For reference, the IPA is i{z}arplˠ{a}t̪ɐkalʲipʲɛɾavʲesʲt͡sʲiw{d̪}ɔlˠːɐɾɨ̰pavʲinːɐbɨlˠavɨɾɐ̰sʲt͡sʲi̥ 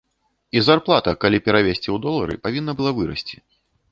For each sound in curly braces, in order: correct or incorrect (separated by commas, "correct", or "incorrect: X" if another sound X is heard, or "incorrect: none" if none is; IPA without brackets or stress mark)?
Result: correct, correct, correct